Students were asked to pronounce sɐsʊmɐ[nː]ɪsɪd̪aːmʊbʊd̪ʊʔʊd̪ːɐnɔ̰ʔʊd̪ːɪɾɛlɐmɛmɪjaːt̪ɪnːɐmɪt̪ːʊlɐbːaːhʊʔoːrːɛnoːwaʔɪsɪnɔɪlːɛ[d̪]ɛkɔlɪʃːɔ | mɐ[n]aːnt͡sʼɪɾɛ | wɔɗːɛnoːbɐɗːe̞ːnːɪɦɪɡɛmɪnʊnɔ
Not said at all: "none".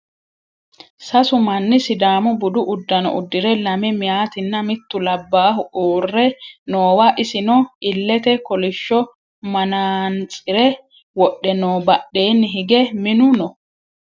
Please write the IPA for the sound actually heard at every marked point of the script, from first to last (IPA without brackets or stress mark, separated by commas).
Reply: nː, t̪, n